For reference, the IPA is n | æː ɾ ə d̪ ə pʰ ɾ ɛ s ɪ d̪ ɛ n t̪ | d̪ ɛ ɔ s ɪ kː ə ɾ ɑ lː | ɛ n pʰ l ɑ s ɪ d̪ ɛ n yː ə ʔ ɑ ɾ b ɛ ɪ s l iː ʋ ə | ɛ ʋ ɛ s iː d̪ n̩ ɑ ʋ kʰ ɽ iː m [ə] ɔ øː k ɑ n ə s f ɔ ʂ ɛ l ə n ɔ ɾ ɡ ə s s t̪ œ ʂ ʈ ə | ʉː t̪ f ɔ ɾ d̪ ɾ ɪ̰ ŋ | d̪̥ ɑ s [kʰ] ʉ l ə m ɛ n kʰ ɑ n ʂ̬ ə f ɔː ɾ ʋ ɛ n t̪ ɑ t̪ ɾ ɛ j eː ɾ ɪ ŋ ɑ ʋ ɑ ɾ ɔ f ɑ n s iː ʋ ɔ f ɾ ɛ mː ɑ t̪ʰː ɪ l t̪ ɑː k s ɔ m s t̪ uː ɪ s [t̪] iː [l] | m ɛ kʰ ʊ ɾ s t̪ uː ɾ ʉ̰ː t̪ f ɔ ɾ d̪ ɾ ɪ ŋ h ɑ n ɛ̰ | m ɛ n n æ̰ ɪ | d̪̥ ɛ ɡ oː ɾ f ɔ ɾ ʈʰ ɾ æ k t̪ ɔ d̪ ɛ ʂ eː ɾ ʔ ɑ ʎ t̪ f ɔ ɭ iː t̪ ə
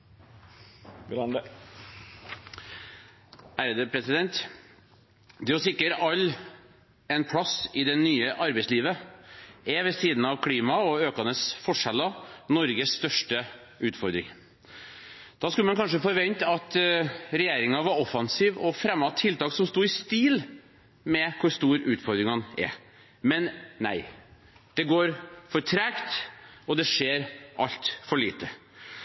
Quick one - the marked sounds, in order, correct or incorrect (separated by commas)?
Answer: incorrect, incorrect, correct, correct